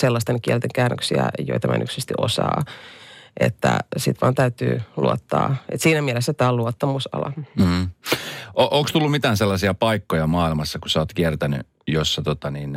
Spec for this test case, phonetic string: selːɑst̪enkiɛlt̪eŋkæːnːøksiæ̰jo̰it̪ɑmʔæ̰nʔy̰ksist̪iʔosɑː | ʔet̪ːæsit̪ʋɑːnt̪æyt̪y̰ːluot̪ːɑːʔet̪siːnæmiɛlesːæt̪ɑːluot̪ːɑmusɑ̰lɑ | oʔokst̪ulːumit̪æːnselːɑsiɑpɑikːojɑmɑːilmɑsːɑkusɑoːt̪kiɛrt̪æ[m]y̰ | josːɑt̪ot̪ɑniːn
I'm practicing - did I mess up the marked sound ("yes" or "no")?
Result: yes